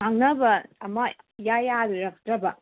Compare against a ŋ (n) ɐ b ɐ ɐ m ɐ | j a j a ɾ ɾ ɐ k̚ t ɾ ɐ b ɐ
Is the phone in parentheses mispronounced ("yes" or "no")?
no